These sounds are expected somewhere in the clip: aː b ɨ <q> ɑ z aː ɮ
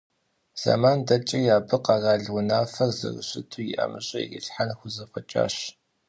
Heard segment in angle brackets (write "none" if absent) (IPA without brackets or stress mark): q